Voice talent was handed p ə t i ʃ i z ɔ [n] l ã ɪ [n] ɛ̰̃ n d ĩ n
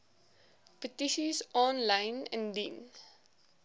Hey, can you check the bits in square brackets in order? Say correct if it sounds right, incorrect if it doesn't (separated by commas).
correct, correct